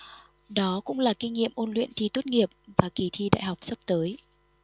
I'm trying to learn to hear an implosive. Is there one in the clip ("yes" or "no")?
yes